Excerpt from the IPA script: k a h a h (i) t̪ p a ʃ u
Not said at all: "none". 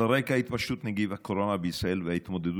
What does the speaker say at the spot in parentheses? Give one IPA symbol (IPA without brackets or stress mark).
i